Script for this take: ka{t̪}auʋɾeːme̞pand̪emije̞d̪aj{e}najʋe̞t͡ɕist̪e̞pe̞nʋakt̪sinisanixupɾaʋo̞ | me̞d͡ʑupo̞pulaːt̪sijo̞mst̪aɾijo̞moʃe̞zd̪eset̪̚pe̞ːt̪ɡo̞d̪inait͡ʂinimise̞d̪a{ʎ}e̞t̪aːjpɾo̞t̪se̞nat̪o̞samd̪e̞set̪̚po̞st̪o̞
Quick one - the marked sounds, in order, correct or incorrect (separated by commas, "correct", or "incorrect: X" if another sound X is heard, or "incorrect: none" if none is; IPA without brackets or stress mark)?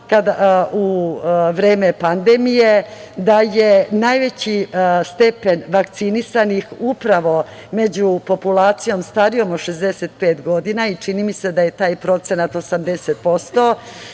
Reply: incorrect: d̪, correct, incorrect: j